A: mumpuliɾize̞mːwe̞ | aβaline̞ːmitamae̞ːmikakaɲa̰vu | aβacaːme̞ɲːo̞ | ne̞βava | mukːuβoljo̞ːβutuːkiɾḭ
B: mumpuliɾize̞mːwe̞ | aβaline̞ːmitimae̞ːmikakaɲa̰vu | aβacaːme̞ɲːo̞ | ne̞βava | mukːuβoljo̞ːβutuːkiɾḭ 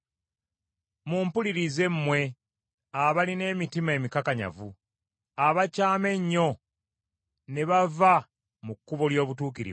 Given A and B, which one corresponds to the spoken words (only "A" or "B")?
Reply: B